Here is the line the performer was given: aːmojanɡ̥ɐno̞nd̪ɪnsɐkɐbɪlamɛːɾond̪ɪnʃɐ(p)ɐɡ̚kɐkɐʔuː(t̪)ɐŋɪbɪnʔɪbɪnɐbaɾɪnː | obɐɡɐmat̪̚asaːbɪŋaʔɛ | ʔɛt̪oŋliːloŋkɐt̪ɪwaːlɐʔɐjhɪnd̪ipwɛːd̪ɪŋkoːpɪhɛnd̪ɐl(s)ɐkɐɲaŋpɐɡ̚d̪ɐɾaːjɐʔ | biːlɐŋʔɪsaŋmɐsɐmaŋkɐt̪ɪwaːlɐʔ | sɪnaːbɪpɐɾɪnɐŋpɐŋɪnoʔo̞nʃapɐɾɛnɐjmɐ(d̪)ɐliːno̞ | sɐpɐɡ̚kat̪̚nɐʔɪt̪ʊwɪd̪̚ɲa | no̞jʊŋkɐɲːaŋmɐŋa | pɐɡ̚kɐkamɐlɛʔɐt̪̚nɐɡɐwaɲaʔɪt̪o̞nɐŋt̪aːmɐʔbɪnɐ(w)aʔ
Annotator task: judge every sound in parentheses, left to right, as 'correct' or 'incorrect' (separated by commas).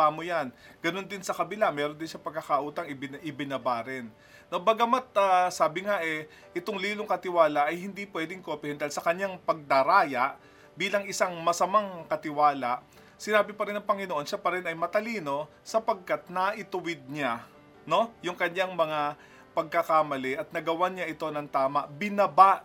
correct, correct, correct, incorrect, incorrect